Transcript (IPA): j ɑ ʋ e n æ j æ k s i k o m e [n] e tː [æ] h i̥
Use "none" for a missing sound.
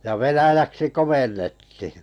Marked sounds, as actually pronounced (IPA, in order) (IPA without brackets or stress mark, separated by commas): nː, i